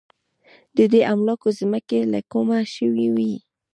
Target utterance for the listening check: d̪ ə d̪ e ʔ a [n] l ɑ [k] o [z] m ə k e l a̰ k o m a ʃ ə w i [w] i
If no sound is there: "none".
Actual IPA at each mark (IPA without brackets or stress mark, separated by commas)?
m, k, z, w